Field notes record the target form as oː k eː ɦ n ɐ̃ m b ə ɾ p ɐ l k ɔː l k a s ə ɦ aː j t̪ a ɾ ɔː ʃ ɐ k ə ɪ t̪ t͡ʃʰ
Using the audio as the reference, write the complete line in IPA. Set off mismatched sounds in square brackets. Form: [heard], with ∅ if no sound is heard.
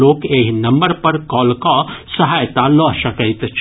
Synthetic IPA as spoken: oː k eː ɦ n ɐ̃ m b ə ɾ p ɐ [ɾ] k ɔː l k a s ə ɦ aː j t̪ a [l] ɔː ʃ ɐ k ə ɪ t̪ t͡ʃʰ